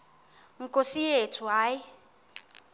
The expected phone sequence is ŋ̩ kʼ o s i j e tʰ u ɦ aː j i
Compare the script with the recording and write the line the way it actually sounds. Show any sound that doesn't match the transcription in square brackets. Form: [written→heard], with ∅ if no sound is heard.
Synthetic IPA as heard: ŋ̩ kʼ o s i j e tʰ u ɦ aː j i